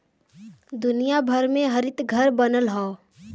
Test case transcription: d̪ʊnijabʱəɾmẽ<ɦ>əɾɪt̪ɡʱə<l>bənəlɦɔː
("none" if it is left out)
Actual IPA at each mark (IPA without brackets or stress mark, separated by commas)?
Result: ɦ, ɾ